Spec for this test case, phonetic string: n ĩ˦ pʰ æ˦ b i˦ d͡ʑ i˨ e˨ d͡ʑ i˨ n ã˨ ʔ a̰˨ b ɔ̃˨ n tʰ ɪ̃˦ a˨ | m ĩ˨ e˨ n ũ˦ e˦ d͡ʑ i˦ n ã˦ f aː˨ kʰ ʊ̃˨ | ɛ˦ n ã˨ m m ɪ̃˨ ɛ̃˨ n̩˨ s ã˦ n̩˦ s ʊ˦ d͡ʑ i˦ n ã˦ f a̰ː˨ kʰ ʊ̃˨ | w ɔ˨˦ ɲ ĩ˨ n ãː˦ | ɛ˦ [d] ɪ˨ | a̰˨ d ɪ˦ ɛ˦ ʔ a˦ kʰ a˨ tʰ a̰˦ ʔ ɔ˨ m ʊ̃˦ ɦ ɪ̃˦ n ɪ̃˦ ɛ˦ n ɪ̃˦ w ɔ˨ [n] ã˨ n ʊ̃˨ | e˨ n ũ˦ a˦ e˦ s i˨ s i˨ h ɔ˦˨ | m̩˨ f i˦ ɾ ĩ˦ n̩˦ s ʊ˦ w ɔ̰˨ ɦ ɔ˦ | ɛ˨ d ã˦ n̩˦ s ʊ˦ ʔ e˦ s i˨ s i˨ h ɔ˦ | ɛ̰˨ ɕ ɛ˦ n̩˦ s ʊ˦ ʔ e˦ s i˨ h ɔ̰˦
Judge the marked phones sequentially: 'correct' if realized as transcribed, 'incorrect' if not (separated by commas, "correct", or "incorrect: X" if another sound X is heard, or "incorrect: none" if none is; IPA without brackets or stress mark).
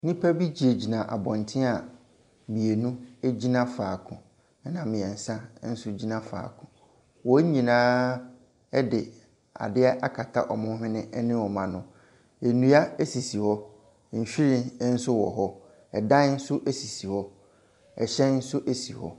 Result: correct, incorrect: m